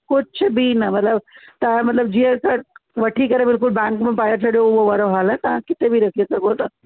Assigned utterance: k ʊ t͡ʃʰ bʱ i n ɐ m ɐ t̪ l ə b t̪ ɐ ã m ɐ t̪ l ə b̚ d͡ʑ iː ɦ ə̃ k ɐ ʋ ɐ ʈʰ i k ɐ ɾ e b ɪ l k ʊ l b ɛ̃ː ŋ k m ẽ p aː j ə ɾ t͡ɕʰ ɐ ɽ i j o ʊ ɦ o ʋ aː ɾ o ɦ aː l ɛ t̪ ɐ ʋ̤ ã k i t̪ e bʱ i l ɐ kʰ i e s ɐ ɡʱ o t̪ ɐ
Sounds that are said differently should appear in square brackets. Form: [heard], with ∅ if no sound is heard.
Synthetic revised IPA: k ʊ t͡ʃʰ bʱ i n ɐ m ɐ t̪ l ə b t̪ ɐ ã m ɐ t̪ l ə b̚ d͡ʑ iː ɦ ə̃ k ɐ ʋ ɐ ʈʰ i k ɐ ɾ e b ɪ l k ʊ l b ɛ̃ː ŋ k m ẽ p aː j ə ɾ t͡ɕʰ ɐ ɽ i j o ʊ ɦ o ʋ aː ɾ o ɦ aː l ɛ t̪ ɐ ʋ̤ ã k [ɪ] t̪ e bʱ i [ɾ] ɐ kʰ i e s ɐ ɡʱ o t̪ ɐ